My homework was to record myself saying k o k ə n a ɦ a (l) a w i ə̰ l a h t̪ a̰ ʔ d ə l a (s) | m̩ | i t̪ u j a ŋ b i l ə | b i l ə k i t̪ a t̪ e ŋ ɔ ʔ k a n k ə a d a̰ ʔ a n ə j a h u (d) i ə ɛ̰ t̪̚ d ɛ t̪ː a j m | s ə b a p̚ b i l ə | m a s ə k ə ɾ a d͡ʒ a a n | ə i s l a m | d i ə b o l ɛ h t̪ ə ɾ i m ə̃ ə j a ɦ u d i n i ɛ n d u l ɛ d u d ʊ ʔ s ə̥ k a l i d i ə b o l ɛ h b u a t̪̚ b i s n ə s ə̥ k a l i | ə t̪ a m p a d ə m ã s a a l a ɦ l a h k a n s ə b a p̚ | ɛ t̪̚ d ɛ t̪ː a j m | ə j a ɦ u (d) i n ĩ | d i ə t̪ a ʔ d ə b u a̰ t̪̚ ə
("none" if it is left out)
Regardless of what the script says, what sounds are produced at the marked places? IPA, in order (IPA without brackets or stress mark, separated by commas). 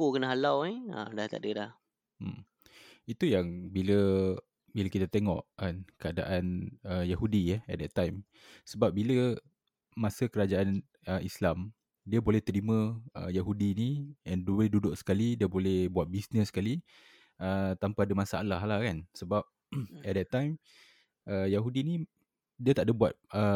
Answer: l, h, d, d